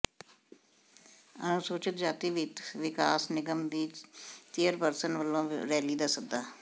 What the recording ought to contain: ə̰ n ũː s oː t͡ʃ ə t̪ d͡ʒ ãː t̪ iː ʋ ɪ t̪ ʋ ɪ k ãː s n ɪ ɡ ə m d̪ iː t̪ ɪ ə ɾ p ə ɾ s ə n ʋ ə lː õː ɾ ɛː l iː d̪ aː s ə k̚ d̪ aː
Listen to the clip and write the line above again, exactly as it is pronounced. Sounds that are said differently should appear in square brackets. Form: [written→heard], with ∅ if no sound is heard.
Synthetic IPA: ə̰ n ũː s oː t͡ʃ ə t̪ d͡ʒ [ãː→aː] t̪ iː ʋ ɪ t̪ ʋ ɪ k [ãː→aː] s n ɪ ɡ ə m d̪ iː t̪ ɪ ə ɾ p ə ɾ s ə n ʋ ə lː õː ɾ ɛː l iː d̪ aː s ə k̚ d̪ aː